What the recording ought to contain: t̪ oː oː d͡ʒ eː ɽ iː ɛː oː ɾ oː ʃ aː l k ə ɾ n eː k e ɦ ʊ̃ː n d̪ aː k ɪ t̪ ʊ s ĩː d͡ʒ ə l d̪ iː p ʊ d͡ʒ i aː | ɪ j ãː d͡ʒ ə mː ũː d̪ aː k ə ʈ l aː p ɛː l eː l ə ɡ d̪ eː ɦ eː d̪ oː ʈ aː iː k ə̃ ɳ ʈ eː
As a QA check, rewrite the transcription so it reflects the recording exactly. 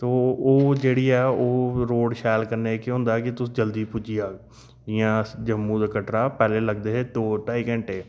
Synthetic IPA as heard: t̪ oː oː d͡ʒ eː ɽ iː ɛː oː ɾ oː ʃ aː l k ə ɾ n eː k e ɦ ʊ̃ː n d̪ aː k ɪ t̪ ʊ s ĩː d͡ʒ ə l d̪ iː p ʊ d͡ʒ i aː | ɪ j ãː d͡ʒ ə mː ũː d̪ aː k ə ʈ ɾ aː p ɛː l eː l ə ɡ d̪ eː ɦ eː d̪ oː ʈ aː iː k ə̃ ɳ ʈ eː